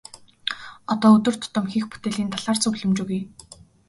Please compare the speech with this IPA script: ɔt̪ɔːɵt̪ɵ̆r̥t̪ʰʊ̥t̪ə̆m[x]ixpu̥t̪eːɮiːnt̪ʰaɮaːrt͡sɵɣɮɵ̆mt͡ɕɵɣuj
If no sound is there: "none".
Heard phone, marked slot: x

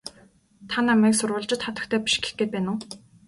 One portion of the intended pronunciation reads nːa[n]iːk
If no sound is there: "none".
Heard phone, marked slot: m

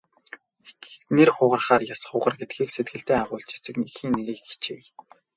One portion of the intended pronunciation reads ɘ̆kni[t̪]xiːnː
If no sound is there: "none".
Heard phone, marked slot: none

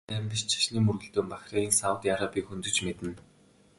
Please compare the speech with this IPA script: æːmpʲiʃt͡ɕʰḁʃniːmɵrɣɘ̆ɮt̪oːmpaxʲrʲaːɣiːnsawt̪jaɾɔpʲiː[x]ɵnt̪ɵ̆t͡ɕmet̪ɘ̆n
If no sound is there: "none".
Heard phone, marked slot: x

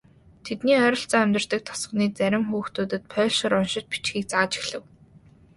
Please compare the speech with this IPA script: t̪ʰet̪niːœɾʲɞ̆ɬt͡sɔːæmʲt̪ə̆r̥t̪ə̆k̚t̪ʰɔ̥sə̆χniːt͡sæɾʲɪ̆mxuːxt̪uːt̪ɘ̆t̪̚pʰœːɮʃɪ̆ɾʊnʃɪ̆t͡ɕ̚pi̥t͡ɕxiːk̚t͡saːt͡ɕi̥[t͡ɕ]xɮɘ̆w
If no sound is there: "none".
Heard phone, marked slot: none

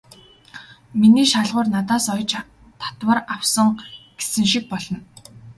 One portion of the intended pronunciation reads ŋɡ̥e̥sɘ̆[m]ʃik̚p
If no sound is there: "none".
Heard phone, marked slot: ŋ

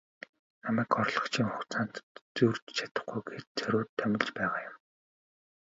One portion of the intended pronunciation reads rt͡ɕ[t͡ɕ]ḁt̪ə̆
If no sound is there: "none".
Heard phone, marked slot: t͡ɕʰ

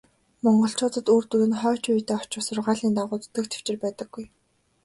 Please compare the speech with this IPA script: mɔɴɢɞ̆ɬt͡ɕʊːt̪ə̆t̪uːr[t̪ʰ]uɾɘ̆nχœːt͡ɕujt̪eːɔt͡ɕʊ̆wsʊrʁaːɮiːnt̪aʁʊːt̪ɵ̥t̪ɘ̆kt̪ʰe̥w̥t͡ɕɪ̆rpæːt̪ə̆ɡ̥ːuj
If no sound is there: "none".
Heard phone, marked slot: t̪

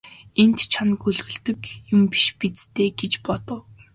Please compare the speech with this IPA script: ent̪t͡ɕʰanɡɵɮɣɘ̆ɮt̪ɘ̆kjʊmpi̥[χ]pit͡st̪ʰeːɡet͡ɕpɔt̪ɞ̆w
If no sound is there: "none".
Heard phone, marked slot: ʃ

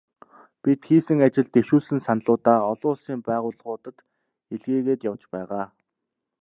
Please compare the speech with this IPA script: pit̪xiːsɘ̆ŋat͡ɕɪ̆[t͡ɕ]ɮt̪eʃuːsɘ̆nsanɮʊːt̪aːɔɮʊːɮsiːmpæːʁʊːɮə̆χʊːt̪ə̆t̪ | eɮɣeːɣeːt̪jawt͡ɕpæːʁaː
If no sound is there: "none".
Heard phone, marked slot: none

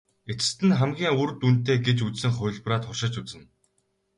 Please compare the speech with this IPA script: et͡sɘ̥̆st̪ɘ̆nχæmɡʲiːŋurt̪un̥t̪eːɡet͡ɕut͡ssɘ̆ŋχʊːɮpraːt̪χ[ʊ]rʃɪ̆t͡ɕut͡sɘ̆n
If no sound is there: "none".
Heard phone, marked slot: ʊ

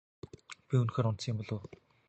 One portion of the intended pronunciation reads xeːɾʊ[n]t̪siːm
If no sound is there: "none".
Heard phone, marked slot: n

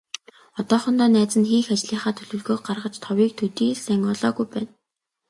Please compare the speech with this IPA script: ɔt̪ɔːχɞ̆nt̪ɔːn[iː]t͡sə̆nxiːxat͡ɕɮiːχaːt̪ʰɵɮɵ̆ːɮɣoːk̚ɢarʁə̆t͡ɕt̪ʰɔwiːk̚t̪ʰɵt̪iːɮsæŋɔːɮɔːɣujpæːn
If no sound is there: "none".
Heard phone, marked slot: æː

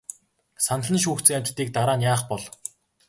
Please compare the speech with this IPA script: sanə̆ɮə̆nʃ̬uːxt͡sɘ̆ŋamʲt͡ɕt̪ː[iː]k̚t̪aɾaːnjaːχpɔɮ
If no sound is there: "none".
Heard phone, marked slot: iː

